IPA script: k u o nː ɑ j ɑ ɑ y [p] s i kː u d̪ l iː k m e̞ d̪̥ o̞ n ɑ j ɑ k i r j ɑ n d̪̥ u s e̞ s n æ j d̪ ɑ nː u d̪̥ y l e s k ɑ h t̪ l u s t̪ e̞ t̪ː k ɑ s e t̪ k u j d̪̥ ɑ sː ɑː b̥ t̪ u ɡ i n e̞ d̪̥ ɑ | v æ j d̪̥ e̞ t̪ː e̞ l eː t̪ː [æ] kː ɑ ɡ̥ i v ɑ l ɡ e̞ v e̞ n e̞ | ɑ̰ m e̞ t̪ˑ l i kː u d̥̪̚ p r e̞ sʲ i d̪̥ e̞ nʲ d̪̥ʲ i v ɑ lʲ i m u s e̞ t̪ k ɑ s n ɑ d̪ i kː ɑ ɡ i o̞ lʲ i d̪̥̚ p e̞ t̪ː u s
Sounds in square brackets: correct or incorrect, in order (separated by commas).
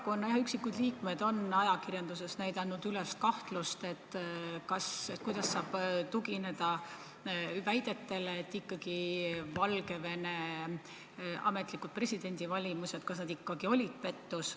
incorrect, incorrect